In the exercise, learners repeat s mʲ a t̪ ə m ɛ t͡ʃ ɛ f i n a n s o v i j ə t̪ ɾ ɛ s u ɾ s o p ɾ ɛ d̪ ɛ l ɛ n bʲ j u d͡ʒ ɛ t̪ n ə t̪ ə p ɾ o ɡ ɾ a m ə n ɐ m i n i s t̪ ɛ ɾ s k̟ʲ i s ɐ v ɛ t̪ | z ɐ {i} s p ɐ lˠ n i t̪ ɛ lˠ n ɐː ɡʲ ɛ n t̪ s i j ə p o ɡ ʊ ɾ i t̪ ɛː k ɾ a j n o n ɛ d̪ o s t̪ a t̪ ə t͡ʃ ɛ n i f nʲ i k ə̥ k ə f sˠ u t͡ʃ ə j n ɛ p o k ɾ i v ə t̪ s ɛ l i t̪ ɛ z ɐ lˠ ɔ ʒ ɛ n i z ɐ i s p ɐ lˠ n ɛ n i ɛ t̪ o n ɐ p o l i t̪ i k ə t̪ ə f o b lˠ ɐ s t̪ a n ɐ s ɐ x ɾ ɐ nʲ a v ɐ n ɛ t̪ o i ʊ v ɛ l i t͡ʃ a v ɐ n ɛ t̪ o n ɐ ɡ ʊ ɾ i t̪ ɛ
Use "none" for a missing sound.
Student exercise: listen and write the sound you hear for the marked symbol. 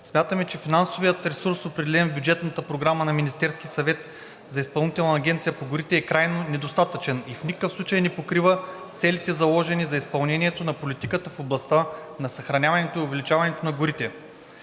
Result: i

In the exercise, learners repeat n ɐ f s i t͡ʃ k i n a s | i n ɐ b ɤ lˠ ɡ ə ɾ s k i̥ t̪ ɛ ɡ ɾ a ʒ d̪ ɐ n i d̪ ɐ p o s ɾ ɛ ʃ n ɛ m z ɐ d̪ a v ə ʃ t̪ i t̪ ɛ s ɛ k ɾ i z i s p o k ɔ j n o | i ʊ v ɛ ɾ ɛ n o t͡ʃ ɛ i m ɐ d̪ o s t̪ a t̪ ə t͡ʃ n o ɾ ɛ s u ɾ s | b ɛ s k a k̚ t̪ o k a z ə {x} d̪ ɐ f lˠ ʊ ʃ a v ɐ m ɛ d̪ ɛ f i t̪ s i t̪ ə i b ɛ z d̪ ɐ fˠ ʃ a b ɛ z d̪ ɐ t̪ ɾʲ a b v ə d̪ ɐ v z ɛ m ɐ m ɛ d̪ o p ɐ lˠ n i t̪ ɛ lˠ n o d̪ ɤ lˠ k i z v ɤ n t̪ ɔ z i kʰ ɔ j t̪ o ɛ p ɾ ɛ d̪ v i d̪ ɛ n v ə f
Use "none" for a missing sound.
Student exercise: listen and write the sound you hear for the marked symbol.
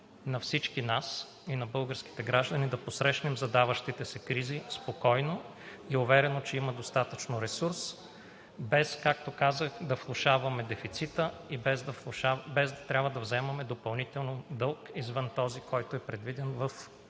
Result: x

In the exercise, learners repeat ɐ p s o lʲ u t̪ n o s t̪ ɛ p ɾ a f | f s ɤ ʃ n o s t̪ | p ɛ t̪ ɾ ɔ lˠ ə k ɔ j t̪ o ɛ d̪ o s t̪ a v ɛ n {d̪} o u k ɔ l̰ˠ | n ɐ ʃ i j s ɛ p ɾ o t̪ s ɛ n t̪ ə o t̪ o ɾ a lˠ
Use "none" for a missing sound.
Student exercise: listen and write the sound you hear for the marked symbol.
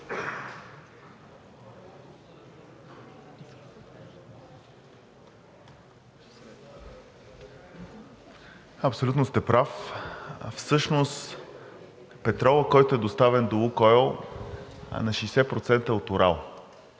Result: d̪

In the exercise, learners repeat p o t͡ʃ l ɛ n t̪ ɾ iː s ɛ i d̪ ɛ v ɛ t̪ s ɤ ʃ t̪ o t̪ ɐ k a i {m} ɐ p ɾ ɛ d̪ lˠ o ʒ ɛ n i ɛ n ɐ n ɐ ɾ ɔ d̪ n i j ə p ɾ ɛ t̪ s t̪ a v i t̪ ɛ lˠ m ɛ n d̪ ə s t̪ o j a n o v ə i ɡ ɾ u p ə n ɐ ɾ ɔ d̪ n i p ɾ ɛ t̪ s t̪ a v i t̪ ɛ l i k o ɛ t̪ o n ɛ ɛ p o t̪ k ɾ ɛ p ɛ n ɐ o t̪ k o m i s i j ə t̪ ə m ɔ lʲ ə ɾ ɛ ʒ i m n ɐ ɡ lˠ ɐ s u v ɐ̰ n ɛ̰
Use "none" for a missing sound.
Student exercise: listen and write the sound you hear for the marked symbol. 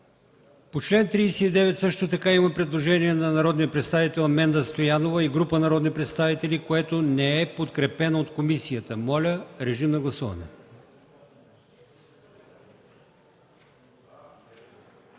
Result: m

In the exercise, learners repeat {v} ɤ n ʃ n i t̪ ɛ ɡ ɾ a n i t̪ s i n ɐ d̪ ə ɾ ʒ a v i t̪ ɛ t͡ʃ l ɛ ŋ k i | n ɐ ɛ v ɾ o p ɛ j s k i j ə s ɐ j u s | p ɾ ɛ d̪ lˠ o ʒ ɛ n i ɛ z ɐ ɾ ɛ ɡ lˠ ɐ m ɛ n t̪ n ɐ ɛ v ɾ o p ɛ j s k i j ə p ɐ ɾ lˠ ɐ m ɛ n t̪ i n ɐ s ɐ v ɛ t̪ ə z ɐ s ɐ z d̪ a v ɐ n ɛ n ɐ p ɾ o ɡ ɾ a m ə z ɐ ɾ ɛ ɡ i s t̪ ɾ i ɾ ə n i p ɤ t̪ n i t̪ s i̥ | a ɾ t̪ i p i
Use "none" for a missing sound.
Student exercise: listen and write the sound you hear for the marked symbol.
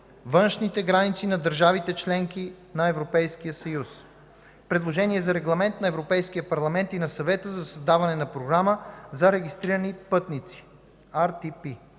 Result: v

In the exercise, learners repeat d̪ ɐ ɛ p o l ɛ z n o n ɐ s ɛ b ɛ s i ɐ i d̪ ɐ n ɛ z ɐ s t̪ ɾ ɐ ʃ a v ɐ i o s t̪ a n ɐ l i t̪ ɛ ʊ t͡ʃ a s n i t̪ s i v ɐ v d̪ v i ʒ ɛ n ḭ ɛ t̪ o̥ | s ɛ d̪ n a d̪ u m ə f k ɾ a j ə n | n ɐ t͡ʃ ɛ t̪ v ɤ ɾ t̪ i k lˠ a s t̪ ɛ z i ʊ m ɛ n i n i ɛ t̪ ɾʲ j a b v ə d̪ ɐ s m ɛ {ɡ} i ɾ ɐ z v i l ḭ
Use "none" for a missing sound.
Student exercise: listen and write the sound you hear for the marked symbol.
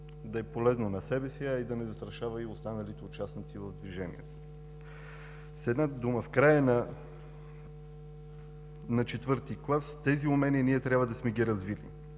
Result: ɡ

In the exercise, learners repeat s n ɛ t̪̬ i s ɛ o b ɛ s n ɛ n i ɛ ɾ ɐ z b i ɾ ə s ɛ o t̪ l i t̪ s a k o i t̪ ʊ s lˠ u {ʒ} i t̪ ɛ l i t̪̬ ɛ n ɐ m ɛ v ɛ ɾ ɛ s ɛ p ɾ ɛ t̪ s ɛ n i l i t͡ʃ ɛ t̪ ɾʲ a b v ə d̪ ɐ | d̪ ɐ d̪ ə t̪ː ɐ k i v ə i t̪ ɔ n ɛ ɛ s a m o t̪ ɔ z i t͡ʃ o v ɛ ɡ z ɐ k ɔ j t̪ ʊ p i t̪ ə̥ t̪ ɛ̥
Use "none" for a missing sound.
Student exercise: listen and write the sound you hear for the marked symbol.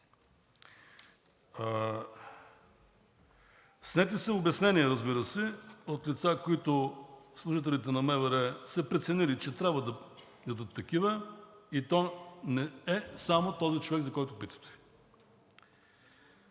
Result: ʒ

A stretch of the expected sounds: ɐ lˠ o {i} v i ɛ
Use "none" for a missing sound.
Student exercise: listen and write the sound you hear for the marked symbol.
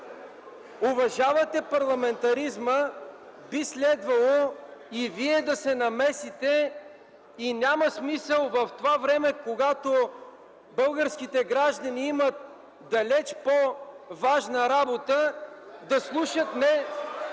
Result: i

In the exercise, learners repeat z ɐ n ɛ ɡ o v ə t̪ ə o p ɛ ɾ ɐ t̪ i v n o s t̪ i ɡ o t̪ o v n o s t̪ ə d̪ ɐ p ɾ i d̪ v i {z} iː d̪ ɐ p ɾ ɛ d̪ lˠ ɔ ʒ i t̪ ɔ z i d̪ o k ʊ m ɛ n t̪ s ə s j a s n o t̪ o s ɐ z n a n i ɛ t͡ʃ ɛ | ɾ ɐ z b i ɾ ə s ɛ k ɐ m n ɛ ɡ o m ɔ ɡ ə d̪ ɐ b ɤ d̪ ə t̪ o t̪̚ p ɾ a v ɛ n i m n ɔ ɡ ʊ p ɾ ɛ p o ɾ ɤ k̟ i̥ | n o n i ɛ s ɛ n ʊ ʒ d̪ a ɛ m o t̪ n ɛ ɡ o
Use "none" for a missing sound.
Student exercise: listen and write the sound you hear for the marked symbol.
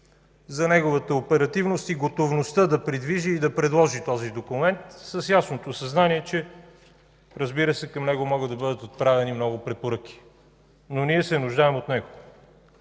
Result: ʒ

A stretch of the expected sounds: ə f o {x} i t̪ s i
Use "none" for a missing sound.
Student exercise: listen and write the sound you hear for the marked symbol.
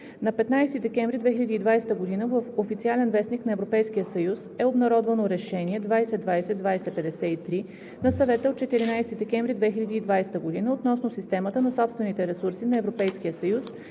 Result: f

